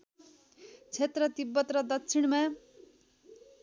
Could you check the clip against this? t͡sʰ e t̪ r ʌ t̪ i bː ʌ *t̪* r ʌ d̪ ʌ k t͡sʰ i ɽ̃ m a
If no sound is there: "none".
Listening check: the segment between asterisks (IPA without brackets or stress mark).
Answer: t̪